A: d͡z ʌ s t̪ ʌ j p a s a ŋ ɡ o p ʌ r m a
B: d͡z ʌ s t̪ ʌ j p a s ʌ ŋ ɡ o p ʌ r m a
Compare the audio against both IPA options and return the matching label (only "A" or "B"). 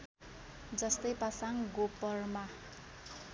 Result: A